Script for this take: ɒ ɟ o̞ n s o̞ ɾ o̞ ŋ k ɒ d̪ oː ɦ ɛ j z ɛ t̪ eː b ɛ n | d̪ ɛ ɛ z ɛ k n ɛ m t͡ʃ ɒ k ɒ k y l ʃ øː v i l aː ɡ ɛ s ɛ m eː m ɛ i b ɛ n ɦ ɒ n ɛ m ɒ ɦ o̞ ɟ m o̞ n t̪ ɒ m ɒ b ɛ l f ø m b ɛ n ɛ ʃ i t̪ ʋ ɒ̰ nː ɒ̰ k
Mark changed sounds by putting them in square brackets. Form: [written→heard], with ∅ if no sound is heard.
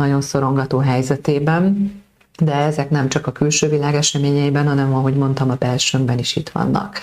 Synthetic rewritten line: ɒ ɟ o̞ n s o̞ ɾ o̞ ŋ [k→ɡ] ɒ [d̪→t̪] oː ɦ ɛ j z ɛ t̪ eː b ɛ n | d̪ ɛ ɛ z ɛ k n ɛ m t͡ʃ ɒ k ɒ k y l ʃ øː v i l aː ɡ ɛ [s→ʃ] ɛ m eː [m→ɲ] ɛ i b ɛ n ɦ ɒ n ɛ m ɒ ɦ o̞ ɟ m o̞ n t̪ ɒ m ɒ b ɛ l [f→ʃ] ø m b ɛ n [ɛ→i] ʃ i t̪ ʋ ɒ̰ nː ɒ̰ k